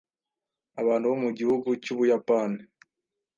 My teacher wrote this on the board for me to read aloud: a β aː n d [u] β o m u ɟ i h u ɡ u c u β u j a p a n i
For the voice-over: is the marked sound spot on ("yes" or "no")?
yes